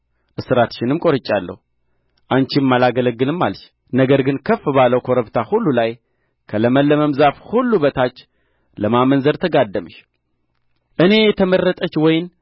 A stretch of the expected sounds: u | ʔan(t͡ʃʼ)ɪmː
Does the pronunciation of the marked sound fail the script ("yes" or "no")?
yes